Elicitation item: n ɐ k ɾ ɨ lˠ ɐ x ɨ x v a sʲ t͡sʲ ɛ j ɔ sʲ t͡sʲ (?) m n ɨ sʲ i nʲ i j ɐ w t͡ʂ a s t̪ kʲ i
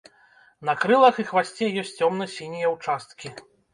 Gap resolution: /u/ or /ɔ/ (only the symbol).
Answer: ɔ